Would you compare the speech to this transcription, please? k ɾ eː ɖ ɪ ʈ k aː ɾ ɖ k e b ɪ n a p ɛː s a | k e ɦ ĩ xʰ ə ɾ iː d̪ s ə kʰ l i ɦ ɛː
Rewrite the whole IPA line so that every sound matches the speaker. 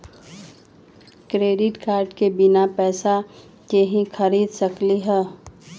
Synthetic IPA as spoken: k ɾ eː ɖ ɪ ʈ k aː ɾ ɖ k e b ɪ n a p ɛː s a | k e ɦ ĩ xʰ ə ɾ iː d̪ s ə k l i ɦ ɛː